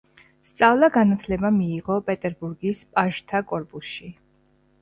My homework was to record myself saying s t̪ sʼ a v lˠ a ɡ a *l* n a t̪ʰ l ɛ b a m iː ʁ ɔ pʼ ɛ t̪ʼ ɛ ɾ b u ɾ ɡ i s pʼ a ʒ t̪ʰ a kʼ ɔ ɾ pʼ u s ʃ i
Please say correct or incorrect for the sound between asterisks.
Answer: incorrect